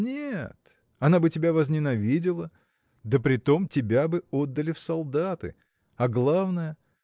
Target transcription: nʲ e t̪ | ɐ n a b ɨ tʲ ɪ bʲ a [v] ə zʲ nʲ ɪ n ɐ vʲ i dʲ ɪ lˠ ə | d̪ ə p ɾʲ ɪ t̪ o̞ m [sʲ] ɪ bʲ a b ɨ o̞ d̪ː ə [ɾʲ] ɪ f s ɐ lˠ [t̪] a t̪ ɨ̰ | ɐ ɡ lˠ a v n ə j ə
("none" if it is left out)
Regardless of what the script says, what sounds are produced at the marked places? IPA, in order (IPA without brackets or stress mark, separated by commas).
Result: v, tʲ, lʲ, d̪